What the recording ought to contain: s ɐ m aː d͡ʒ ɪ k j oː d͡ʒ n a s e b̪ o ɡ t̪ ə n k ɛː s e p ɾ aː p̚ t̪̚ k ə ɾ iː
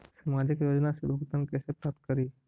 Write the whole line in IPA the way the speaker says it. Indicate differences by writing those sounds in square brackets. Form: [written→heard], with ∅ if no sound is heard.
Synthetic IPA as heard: s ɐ m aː d͡ʒ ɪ k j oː d͡ʒ n a s e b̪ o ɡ t̪ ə n k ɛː s e p ɾ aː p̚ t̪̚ k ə ɾ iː